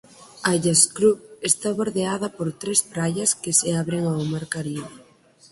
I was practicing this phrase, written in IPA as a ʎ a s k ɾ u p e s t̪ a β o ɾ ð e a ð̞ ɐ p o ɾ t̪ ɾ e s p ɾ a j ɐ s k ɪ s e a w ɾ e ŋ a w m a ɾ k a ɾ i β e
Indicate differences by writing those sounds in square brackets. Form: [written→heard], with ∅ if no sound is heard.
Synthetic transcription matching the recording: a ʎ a s k ɾ u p e s t̪ a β o ɾ ð e a ð̞ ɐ p o ɾ t̪ ɾ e s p ɾ a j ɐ s k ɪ s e a [w→β] ɾ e ŋ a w m a ɾ k a ɾ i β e